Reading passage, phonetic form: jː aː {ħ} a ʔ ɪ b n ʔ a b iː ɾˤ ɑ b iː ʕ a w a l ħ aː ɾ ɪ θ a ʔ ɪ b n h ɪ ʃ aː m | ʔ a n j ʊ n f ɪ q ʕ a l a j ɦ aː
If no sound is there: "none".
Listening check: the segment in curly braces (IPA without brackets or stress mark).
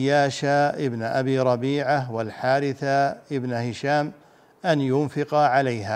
ʃ